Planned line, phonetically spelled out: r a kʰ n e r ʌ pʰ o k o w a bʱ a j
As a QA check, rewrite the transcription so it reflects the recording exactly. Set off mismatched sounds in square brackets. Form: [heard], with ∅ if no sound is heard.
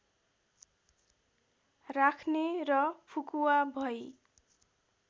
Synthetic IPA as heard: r a kʰ n e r ʌ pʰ [u] k [u] w a bʱ [ʌ] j

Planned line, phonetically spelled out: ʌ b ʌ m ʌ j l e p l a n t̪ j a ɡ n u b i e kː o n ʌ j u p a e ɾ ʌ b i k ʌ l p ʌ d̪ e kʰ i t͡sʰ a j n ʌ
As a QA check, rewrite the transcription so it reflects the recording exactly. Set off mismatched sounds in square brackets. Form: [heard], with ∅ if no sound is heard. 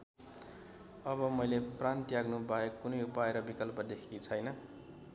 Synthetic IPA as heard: ʌ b ʌ m ʌ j l e p [r] a n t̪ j a ɡ n u b [a] e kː [u] n ʌ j u p a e ɾ ʌ b i k ʌ l p ʌ d̪ e kʰ i t͡sʰ [ʌ] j n ʌ

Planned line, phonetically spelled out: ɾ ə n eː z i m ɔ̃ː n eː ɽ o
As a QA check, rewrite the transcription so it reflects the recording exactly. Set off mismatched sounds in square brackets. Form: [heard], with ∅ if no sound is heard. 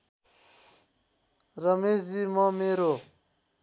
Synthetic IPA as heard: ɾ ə [m] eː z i m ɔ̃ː [m] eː [ɾ] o

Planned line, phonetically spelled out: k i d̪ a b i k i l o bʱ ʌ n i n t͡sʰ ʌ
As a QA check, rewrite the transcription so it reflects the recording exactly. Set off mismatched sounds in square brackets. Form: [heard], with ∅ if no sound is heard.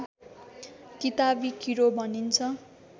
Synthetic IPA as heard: k i [t̪] a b i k i [ɾ] o bʱ ʌ n i n t͡sʰ ʌ

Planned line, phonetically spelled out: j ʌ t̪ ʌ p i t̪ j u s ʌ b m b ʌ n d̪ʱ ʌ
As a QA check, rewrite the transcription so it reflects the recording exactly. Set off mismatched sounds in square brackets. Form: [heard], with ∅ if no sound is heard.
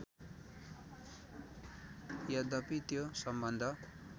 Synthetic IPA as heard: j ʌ [d̪] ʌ p i t̪ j [o] s ʌ [∅] m b ʌ n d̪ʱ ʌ

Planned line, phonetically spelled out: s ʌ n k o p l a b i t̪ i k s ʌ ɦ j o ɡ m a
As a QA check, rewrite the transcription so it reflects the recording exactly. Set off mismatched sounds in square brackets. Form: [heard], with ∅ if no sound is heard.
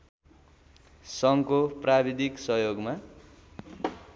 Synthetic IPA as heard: s ʌ [ŋ] k o p [r] a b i [d̪] i k s ʌ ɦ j o ɡ m a

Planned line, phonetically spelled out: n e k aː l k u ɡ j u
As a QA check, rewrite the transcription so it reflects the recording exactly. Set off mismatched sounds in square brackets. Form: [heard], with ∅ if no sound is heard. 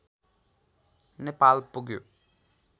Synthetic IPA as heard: n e [p] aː l [p] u ɡ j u

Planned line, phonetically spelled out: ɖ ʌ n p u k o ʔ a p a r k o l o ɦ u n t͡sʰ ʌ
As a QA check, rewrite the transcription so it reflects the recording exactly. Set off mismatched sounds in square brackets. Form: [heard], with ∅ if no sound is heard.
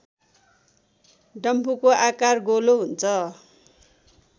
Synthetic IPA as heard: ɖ ʌ [m] p u k o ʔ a [k] a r [ɡ] o l o ɦ u n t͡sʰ ʌ

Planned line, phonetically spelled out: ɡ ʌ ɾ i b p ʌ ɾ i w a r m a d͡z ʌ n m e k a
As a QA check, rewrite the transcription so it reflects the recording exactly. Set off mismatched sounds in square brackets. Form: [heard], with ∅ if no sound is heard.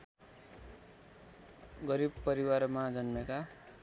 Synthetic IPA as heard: ɡ ʌ ɾ i b p ʌ ɾ i w a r m a d͡z ʌ n m e k a

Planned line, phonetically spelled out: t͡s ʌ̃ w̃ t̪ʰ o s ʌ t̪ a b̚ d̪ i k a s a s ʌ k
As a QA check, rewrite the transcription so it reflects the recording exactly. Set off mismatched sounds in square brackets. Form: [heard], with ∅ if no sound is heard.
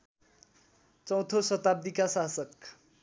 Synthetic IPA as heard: t͡s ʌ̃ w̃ t̪ʰ o s ʌ t̪ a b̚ d̪ i k a s a s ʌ k

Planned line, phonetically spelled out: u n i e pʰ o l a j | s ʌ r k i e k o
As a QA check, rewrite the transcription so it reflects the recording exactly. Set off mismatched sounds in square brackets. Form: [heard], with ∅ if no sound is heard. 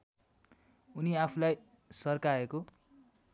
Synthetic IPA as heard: u n i [a] pʰ [u] l a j | s ʌ r k [a] e k o

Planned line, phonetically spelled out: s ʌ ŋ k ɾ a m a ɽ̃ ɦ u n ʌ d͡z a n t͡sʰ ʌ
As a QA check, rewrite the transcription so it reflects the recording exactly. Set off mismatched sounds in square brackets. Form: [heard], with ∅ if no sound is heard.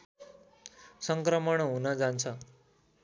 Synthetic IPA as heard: s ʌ ŋ k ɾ [ʌ] m [ʌ] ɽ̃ ɦ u n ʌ d͡z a n t͡sʰ ʌ

